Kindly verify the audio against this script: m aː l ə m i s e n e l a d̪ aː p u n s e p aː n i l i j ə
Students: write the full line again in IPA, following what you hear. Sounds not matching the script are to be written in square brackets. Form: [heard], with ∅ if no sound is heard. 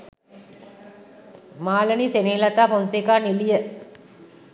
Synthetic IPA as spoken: m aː l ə [n] i s e n e l a [t̪] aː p [o] n s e [k] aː n i l i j ə

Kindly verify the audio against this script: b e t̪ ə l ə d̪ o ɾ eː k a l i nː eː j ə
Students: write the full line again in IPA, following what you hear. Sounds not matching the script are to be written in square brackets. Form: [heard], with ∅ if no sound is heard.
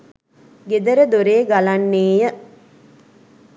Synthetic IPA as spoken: [ɡ] e [d̪] ə [ɾ] ə d̪ o ɾ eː [ɡ] a l [a] nː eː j ə

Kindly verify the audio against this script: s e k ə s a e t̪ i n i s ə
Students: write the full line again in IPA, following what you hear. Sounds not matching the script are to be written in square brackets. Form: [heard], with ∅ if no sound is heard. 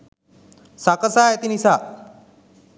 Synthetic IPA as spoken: s [a] k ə s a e t̪ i n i s [a]

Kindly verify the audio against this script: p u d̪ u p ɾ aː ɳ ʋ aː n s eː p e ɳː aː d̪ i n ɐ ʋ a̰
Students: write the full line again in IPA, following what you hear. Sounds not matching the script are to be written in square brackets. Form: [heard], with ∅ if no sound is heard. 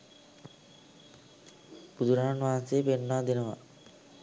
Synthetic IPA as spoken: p u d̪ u [∅] ɾ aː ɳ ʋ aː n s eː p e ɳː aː d̪ i n ɐ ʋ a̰

